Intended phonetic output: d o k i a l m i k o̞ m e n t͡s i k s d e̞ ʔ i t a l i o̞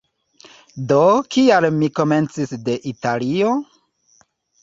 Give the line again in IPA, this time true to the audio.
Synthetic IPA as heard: d o k i a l m i k o̞ m e n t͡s i s d e̞ ʔ i t a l i o̞

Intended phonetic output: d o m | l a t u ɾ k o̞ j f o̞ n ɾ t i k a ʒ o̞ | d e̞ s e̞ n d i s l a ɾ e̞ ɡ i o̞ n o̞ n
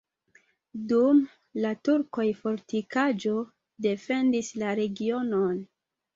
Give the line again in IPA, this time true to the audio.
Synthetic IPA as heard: d u m | l a t u ɾ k o̞ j f o̞ ɾ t i k a d͡ʒ o̞ | d e̞ f e̞ n d i s l a ɾ e̞ ɡ i o̞ n o̞ n

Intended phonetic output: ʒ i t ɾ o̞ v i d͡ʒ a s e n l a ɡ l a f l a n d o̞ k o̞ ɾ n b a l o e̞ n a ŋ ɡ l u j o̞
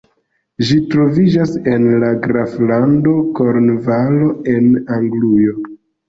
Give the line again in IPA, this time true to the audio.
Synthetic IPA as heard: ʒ i t ɾ o̞ v i d͡ʒ a s e n l a ɡ ɾ a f l a n d o̞ k o̞ ɾ n v a l o e̞ n a ŋ ɡ l u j o̞

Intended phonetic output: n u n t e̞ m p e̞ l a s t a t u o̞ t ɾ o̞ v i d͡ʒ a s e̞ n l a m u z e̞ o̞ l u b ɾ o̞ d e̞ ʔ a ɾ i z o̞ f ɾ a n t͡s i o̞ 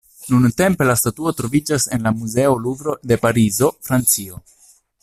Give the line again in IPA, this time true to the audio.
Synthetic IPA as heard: n u n t e̞ m p e̞ l a s t a t u o̞ t ɾ o̞ v i d͡ʒ a s e̞ n l a m u z e̞ o̞ l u b ɾ o̞ d e̞ p a ɾ i z o̞ f ɾ a n t͡s i o̞

